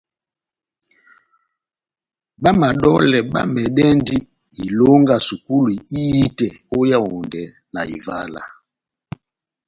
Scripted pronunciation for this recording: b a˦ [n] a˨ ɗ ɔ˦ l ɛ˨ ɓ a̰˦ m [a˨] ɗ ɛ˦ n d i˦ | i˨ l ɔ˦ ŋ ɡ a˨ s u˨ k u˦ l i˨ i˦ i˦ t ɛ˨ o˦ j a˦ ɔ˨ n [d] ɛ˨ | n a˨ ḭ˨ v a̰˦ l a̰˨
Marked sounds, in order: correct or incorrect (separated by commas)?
incorrect, incorrect, correct